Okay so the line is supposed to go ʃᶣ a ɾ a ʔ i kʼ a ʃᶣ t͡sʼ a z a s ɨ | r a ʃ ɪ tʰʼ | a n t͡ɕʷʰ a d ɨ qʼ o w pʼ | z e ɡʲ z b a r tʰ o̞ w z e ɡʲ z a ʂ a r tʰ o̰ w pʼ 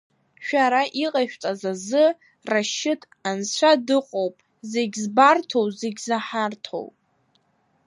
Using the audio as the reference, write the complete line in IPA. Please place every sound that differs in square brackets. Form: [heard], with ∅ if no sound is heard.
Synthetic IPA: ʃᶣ a ɾ a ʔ i [qʼ] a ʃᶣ t͡sʼ a z a [z] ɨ | r a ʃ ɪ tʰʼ | a n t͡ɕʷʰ a d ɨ qʼ o w pʼ | z e ɡʲ z b a r tʰ o̞ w z e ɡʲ z a [ħ] a r tʰ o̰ w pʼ